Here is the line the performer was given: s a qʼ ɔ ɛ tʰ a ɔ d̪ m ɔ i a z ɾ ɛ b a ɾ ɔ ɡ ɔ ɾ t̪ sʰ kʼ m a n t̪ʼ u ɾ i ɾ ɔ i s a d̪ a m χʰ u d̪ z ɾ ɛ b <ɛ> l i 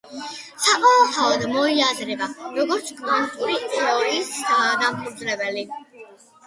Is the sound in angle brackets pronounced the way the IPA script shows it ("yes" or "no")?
yes